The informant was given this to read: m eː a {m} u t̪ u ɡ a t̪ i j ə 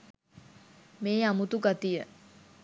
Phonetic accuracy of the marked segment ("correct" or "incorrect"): correct